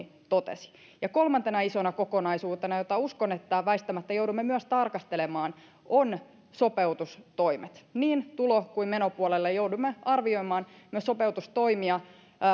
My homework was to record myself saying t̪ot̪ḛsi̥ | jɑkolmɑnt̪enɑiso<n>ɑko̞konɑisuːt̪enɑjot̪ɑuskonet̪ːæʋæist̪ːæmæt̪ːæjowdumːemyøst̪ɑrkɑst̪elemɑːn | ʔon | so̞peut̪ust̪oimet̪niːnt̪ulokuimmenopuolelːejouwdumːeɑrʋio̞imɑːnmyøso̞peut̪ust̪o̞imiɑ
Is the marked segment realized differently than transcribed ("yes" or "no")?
no